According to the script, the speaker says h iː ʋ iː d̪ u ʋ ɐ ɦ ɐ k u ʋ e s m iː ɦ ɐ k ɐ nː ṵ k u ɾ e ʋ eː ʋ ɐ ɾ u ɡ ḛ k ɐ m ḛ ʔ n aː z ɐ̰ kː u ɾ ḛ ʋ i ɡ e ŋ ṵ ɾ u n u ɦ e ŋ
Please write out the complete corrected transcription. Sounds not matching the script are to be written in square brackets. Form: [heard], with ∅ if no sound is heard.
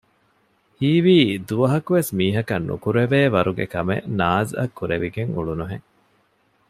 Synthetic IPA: h iː ʋ iː d̪ u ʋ ɐ ɦ ɐ k u ʋ e s m iː ɦ ɐ k ɐ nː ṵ k u ɾ e ʋ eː ʋ ɐ ɾ u ɡ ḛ k ɐ m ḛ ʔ n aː z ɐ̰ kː u ɾ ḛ ʋ i ɡ e ŋ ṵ [ɭ] u n u ɦ e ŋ